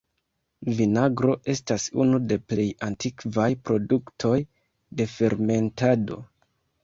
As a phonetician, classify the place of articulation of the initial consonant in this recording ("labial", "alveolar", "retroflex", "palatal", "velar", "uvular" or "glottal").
labial